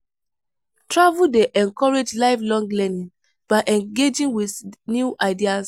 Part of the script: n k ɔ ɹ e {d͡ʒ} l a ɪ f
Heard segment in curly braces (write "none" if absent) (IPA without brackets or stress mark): d͡ʒ